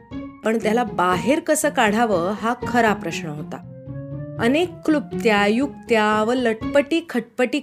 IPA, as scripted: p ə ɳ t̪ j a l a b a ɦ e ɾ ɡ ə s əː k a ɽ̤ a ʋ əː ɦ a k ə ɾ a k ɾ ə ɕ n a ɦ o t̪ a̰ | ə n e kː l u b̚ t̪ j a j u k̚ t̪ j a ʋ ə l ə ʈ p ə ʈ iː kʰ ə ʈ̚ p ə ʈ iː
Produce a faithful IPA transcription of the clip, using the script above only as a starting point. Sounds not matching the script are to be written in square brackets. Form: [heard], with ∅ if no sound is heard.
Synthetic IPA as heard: p ə ɳ t̪ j a l a b a ɦ e ɾ [k] ə s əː k a ɽ̤ a ʋ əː ɦ a [kʰ] ə ɾ a [p] ɾ ə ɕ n [ə] ɦ o t̪ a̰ | ə n e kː l u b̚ t̪ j a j u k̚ t̪ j a ʋ ə l ə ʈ p ə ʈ iː kʰ ə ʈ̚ p ə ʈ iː